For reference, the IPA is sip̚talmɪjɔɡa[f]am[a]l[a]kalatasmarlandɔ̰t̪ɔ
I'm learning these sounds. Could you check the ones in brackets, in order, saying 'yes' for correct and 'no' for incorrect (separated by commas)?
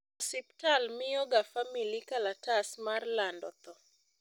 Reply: yes, no, no